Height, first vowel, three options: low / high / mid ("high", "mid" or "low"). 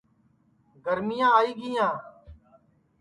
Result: mid